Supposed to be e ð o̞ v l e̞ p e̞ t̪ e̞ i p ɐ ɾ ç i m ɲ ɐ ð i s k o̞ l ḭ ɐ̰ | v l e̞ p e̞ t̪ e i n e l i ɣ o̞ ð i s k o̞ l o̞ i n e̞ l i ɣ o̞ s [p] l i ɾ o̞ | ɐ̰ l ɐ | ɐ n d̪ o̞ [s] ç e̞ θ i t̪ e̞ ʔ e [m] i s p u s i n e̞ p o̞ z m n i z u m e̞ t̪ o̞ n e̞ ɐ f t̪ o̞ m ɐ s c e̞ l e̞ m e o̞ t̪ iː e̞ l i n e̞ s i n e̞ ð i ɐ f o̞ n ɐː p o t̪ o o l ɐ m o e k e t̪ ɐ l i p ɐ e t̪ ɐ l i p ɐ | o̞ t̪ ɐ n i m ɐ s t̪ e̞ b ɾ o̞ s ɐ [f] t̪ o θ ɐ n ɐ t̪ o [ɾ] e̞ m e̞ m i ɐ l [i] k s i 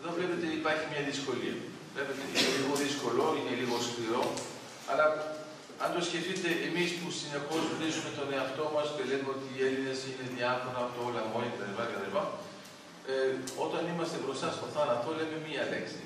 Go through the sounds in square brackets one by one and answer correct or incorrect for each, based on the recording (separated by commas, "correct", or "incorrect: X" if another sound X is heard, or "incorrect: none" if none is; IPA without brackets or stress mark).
incorrect: k, correct, correct, incorrect: s, incorrect: l, incorrect: e